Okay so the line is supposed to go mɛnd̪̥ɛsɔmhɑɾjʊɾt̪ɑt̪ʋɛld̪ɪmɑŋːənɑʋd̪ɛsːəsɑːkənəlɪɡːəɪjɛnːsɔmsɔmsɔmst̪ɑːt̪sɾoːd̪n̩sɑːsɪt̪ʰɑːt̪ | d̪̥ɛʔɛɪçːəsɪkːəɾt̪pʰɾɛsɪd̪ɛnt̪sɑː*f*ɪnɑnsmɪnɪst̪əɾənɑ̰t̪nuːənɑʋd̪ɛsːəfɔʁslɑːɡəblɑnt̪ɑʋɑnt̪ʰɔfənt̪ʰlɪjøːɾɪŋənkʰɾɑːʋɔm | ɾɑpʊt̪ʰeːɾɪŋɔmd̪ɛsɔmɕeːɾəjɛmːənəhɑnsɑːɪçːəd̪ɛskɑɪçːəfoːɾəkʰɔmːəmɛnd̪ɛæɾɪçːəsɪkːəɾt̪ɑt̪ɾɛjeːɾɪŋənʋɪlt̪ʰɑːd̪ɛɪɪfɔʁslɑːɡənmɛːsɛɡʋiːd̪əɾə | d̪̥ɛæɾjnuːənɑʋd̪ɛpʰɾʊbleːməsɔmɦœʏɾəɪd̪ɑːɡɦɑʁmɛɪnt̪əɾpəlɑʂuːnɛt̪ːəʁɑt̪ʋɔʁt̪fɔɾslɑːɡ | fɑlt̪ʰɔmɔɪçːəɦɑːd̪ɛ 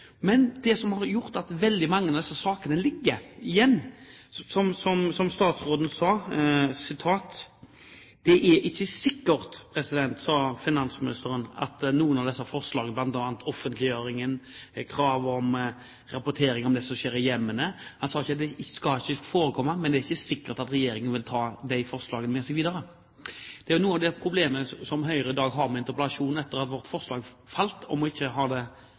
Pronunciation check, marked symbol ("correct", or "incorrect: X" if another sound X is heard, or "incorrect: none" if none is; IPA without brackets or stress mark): correct